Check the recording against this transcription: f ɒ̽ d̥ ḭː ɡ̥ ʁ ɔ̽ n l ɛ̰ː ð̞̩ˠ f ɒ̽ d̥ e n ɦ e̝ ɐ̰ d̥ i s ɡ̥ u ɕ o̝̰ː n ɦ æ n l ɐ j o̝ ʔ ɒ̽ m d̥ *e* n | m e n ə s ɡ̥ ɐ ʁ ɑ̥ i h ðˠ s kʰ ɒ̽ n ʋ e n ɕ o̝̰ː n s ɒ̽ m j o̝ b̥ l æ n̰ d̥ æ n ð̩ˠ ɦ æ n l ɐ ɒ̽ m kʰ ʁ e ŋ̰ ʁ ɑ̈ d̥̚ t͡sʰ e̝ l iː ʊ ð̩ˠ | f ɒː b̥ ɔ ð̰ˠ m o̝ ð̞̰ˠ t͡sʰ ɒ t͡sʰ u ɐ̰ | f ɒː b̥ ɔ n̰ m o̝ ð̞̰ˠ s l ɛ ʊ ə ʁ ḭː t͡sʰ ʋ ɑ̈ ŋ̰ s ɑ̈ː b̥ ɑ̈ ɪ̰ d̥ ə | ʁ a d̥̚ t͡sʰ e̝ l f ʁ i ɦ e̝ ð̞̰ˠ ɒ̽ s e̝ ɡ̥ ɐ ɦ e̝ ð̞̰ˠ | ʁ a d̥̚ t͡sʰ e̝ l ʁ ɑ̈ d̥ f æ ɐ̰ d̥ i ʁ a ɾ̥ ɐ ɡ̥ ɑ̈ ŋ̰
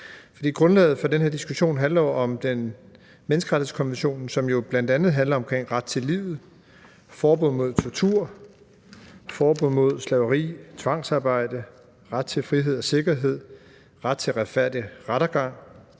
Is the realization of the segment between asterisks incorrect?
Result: no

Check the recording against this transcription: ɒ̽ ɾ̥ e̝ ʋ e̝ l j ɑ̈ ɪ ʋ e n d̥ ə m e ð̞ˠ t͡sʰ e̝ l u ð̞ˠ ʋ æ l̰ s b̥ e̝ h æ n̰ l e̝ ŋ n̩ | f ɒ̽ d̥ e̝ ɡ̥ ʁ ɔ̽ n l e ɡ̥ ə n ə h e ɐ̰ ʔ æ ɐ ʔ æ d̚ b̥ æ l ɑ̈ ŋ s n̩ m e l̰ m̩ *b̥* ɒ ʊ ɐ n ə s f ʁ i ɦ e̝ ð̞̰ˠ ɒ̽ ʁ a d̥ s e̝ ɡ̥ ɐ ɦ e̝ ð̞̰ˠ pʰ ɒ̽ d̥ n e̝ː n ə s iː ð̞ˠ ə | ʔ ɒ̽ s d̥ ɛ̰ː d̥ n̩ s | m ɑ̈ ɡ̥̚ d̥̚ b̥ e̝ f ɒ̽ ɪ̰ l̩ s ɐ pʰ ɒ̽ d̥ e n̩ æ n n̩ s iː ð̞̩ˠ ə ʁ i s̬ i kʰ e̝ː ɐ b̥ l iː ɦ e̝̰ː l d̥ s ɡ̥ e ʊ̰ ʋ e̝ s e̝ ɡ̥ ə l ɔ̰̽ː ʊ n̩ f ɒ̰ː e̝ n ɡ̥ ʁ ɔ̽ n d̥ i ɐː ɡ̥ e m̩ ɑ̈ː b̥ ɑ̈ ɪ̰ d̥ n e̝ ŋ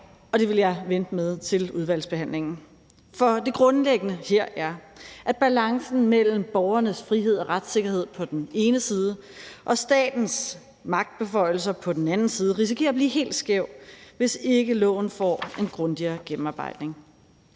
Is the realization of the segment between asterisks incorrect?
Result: no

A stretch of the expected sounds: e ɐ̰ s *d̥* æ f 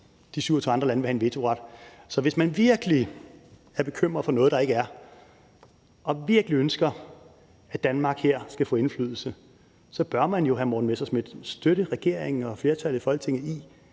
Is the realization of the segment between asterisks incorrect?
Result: yes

